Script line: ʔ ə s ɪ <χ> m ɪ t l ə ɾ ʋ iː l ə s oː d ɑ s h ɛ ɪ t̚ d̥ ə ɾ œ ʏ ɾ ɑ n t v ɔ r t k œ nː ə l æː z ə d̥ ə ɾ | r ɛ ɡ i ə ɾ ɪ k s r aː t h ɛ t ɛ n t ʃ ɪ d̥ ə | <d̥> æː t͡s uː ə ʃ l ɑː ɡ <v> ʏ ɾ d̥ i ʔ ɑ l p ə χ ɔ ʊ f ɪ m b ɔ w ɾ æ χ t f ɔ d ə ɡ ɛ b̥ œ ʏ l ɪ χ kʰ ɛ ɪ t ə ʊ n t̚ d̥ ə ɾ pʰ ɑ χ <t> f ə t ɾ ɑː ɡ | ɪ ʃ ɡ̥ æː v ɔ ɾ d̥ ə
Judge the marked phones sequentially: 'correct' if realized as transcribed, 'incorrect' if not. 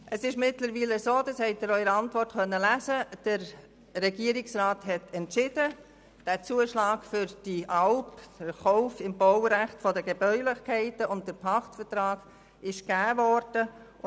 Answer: incorrect: ʃ, correct, incorrect: f, correct

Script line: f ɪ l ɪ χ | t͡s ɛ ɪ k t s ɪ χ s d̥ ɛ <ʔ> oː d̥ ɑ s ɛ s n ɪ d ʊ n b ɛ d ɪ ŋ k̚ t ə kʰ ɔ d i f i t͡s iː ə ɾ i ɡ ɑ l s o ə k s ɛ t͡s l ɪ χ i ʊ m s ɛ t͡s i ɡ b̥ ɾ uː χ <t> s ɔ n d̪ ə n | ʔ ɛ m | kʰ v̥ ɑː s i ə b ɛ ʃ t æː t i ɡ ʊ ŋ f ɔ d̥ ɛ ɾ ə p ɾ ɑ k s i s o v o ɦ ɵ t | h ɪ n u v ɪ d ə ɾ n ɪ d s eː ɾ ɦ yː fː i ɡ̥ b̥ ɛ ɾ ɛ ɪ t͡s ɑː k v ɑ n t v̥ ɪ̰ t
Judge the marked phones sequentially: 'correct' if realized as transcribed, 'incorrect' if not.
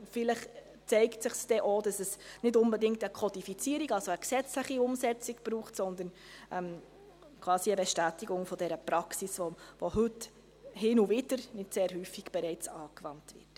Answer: correct, correct

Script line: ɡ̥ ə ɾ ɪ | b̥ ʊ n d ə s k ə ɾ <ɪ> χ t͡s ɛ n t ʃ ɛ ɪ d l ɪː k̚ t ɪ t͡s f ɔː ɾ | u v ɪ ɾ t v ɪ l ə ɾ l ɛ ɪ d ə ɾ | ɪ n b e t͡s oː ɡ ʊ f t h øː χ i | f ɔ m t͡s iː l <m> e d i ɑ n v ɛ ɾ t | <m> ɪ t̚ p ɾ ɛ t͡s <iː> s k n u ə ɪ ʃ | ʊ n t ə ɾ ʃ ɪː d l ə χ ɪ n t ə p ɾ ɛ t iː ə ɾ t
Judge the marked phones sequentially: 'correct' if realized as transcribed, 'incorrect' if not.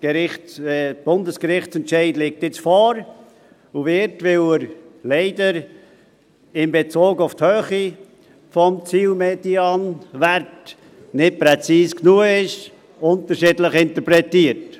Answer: correct, correct, incorrect: n, correct

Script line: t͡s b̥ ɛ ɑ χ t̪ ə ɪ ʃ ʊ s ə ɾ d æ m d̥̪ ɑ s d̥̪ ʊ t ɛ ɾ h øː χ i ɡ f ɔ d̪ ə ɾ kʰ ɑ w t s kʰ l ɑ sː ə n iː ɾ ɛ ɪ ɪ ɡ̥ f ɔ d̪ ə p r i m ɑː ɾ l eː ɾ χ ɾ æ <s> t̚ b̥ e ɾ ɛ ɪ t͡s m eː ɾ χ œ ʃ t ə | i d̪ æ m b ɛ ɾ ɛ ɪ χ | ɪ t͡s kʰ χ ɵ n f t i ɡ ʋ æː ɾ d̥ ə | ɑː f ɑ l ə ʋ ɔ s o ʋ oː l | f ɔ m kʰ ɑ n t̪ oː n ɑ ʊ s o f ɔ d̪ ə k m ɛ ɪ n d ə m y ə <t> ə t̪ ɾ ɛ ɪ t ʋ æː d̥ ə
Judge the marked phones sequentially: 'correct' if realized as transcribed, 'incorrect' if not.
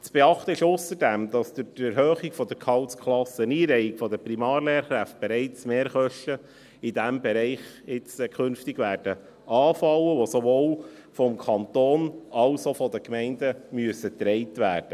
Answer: incorrect: f, incorrect: s

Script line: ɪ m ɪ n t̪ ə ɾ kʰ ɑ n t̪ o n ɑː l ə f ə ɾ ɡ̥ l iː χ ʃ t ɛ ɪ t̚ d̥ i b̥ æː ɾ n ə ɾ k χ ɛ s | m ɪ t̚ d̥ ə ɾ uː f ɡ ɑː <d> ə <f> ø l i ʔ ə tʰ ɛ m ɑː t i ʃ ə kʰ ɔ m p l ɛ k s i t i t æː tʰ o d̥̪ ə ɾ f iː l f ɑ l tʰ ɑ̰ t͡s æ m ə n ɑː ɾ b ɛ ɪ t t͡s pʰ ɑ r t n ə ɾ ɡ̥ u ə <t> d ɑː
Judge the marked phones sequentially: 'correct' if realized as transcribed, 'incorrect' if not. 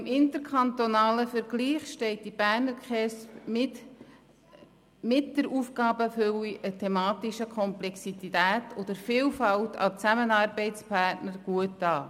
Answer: incorrect: b, correct, correct

